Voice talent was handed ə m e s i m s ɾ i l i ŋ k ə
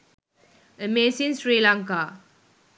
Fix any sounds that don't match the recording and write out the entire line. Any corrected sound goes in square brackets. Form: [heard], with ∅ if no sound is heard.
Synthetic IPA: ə m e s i [n] s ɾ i l [a] ŋ k [a]